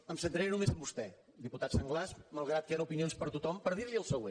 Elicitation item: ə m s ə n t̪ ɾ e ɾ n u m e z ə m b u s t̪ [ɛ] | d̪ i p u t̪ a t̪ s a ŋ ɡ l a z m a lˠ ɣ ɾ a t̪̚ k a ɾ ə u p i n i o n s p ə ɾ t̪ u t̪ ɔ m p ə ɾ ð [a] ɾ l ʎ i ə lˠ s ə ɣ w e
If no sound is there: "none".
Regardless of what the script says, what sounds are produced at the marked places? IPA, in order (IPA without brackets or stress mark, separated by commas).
ɛ, i